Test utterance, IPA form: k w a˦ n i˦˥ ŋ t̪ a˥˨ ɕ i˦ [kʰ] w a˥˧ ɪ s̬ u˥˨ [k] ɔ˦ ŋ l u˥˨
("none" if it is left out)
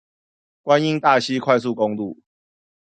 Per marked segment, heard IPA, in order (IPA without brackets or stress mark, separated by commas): kʰ, k